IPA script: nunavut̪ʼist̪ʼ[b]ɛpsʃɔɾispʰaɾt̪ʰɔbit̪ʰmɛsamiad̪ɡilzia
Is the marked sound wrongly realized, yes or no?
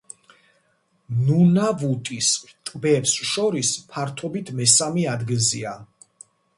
no